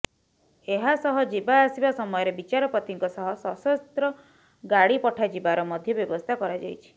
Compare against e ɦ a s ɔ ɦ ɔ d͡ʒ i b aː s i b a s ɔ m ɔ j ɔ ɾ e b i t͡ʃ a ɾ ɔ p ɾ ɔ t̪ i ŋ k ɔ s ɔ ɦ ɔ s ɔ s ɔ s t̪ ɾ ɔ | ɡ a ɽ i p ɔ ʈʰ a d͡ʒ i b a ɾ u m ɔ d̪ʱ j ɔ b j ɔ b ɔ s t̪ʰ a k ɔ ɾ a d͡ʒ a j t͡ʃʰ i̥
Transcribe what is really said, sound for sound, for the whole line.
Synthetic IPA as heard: e ɦ a s ɔ ɦ ɔ d͡ʒ i b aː s i b a s ɔ m ɔ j ɔ ɾ e b i t͡ʃ a ɾ ɔ p ɾ ɔ t̪ i ŋ k ɔ s ɔ ɦ ɔ s ɔ s ɔ s t̪ ɾ ɔ | ɡ a ɽ i p ɔ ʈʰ a d͡ʒ i b a ɾ ɔ m ɔ d̪ʱ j ɔ b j ɔ b ɔ s t̪ʰ a k ɔ ɾ a d͡ʒ a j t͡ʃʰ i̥